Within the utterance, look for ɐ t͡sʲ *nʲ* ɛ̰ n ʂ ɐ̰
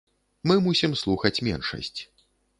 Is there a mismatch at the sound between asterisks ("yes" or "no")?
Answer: yes